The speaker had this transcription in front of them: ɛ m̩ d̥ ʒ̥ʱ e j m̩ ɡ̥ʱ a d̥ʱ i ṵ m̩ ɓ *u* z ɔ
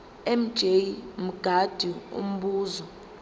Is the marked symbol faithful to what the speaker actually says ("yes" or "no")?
no